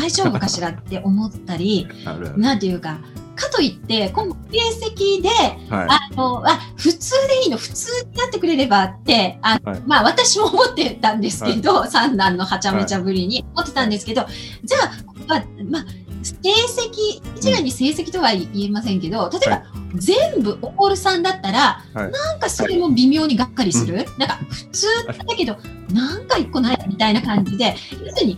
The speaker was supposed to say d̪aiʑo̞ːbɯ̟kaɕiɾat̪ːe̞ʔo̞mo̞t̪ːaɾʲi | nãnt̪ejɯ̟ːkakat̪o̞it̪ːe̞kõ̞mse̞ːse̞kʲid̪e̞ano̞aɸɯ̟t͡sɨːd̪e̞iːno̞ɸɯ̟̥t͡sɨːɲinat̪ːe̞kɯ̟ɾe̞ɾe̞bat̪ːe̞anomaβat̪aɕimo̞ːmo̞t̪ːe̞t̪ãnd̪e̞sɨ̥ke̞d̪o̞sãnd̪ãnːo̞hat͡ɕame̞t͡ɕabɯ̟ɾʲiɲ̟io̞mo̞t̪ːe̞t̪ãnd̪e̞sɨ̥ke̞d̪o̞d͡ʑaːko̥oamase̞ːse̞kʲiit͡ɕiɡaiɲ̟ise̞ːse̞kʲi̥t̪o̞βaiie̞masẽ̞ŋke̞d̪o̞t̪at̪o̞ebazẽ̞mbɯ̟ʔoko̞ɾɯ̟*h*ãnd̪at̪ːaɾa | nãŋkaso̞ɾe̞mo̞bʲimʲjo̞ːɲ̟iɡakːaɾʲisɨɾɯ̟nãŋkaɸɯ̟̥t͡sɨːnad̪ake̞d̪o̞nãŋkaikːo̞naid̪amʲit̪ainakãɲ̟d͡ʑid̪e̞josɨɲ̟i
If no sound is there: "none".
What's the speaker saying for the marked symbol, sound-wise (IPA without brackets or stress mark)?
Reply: s